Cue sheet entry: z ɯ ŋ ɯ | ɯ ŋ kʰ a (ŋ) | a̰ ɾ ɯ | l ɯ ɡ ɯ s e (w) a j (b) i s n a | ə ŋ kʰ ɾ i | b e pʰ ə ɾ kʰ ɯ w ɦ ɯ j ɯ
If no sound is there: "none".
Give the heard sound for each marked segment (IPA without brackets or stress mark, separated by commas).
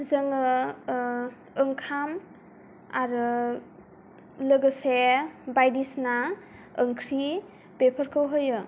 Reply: m, b, d